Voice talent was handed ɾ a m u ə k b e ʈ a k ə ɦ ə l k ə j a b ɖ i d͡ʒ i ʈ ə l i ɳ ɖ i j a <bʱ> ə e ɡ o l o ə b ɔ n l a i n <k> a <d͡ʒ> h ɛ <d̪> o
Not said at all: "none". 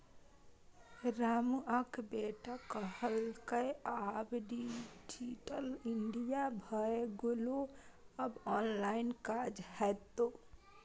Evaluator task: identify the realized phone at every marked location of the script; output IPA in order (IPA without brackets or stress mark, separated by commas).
bʱ, k, d͡ʒ, t̪